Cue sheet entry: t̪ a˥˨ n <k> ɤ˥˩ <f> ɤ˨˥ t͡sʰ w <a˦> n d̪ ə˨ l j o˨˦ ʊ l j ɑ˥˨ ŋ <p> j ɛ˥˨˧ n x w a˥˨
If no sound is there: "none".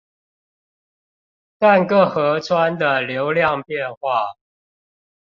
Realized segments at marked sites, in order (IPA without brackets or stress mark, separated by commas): k, x, a˦, p